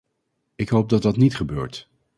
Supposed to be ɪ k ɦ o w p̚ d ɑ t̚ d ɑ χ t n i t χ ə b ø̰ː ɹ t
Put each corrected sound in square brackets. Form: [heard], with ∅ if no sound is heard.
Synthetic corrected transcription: ɪ k ɦ o w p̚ d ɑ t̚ d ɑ [∅] t n i t χ ə b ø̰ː ɹ t